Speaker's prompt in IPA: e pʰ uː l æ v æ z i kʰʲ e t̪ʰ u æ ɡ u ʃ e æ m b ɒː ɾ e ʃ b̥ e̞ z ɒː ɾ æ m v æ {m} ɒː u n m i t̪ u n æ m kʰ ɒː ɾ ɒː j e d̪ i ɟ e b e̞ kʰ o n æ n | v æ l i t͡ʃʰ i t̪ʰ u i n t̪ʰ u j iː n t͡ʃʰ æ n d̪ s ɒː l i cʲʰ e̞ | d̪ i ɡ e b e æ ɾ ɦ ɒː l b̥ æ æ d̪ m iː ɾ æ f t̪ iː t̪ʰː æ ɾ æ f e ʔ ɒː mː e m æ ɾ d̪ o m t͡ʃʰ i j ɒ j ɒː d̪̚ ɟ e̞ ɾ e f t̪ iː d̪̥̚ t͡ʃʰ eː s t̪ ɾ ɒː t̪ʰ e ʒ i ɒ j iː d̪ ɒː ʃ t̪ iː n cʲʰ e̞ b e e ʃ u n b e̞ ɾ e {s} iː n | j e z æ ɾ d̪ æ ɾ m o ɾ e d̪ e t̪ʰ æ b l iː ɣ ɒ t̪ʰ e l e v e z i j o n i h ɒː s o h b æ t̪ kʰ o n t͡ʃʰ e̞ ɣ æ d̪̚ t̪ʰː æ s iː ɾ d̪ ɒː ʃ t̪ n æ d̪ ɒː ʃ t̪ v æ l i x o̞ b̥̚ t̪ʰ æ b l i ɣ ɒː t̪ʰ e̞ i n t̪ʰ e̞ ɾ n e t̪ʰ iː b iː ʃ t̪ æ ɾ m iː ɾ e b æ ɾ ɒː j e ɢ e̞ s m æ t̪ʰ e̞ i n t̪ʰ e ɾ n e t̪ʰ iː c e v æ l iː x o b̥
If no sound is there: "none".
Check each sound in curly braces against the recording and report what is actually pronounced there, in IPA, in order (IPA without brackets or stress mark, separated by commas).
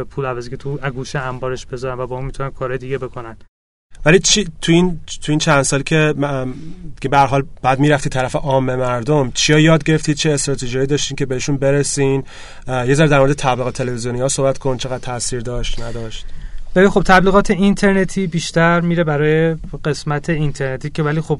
b, s